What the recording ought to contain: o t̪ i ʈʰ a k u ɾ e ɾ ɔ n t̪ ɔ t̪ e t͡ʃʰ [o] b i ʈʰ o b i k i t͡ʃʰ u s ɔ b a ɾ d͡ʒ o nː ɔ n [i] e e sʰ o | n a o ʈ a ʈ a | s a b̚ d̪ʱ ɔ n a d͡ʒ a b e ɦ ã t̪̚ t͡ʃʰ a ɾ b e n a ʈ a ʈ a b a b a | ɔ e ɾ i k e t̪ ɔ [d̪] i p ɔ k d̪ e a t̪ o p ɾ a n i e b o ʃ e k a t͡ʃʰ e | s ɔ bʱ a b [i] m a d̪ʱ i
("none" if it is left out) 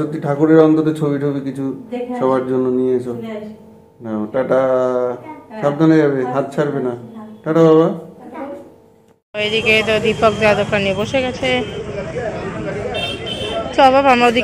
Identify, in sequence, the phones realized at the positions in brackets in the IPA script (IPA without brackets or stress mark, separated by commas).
o, i, d̪, a